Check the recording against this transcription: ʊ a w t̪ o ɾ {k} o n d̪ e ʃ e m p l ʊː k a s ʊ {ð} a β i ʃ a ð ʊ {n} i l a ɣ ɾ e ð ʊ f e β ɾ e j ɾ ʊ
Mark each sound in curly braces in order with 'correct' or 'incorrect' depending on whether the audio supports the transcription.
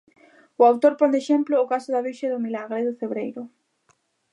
incorrect: p, correct, incorrect: m

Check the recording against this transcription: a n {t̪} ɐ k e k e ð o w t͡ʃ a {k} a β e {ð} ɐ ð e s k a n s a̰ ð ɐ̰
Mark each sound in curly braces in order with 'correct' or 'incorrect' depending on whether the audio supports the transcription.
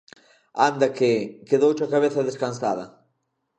incorrect: d̪, correct, incorrect: θ

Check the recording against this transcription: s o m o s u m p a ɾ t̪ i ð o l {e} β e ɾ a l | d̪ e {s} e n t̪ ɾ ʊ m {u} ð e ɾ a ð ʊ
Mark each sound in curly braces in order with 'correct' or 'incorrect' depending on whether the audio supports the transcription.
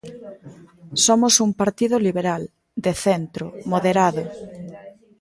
incorrect: i, incorrect: θ, incorrect: o

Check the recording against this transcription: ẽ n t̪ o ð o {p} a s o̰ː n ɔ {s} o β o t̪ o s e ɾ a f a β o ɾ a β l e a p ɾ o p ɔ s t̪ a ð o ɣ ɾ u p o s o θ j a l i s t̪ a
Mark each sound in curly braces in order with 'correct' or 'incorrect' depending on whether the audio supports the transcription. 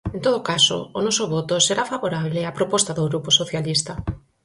incorrect: k, correct

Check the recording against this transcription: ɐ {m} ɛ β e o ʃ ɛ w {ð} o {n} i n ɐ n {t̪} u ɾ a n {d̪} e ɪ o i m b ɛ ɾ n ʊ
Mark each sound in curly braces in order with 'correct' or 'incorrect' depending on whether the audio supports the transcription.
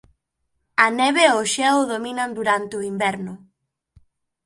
incorrect: n, correct, incorrect: m, incorrect: d̪, incorrect: t̪

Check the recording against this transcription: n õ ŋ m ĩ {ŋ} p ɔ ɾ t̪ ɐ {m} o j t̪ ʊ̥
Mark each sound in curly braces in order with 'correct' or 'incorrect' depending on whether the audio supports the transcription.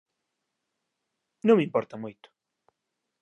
incorrect: m, correct

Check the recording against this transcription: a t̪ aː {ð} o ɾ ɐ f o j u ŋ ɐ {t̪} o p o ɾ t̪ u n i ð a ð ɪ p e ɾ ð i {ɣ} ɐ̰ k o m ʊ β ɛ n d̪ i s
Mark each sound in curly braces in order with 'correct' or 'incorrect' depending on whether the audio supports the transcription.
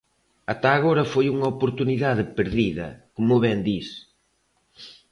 incorrect: ɣ, incorrect: none, incorrect: ð

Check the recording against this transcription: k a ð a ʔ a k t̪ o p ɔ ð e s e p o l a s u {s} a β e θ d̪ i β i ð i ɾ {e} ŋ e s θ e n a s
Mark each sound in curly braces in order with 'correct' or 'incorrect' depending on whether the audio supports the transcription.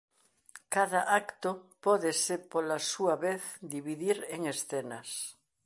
incorrect: none, correct

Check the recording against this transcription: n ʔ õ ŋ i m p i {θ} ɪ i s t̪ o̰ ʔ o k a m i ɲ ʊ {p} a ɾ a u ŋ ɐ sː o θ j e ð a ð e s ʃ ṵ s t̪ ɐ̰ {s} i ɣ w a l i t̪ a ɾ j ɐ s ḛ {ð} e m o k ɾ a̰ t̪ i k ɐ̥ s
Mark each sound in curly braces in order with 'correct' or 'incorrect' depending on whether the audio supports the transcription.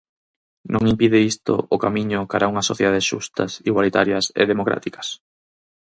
incorrect: ð, incorrect: k, correct, correct

